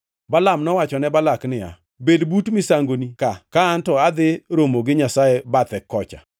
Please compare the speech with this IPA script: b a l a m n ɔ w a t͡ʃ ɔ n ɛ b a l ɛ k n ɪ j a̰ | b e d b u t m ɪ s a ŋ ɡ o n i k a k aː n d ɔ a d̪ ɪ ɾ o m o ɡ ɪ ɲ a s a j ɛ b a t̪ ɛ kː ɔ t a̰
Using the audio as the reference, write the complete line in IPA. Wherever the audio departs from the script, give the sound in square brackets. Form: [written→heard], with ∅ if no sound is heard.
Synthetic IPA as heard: b a l a m n ɔ w a t͡ʃ ɔ n ɛ b a l [ɛ→a] k n ɪ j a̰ | b e d b u t m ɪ s a ŋ ɡ o n i k a k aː n [d→t] ɔ a d̪ ɪ ɾ o m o ɡ ɪ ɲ a s a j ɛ b a t̪ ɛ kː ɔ [t→t͡ʃ] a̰